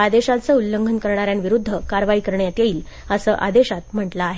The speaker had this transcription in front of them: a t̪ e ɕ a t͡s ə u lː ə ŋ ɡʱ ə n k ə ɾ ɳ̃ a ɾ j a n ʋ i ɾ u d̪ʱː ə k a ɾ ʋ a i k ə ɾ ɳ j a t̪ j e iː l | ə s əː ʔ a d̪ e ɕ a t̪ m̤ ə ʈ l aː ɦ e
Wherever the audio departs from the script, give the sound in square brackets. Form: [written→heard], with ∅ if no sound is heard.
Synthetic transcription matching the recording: a [t̪→d̪] e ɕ a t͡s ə u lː ə ŋ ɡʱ ə n k ə ɾ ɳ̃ a ɾ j a n ʋ i ɾ u d̪ʱː ə k a ɾ ʋ a i k ə ɾ ɳ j a t̪ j e iː l | ə s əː ʔ a d̪ e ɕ a t̪ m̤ ə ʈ l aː ɦ e